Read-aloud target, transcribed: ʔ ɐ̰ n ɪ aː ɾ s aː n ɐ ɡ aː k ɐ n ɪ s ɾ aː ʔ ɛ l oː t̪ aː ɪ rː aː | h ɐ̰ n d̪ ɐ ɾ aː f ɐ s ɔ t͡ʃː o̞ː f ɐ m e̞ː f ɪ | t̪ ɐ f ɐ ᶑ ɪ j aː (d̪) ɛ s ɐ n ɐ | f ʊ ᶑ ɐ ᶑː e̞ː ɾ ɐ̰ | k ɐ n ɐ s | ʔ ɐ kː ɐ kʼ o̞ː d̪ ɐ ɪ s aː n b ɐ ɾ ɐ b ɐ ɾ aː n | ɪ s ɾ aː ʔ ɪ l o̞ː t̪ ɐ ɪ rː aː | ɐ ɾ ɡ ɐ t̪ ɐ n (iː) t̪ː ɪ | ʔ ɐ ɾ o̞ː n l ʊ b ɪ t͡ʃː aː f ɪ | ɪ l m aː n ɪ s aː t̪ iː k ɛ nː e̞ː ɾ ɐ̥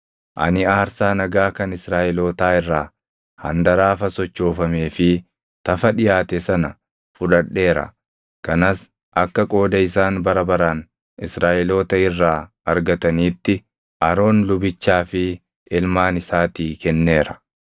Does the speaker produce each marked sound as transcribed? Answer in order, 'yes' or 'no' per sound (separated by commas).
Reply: no, yes